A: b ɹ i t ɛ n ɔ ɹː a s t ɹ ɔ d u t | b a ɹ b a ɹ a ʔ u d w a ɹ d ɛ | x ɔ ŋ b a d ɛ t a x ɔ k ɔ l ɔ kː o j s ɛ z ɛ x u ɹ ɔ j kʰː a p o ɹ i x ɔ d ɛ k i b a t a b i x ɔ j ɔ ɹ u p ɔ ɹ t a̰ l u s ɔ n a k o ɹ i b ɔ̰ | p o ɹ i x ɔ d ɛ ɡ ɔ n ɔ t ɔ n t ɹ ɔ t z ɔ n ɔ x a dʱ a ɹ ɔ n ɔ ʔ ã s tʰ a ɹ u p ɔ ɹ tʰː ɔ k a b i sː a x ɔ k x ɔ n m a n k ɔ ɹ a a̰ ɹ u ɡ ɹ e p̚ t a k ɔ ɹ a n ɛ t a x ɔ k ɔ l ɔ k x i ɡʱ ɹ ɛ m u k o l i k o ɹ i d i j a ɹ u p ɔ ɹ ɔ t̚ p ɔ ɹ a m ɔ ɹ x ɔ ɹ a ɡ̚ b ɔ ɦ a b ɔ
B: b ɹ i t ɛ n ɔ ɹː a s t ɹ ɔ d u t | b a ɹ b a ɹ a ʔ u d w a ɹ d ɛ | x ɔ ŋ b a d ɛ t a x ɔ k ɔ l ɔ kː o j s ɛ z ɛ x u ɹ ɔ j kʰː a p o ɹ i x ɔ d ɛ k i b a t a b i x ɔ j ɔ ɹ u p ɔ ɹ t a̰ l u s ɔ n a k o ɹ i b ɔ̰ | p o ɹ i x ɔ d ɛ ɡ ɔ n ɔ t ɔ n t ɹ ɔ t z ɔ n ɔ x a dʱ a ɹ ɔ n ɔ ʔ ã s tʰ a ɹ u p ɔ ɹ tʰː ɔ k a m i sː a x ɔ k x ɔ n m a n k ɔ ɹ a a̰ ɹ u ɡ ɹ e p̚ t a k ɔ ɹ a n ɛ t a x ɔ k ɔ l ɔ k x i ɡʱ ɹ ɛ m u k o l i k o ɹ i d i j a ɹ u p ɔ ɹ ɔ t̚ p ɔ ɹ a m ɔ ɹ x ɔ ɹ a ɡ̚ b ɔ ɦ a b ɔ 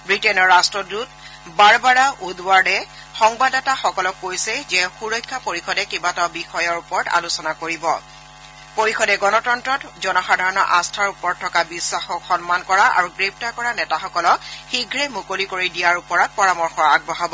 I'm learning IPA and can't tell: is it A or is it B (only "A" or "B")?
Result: A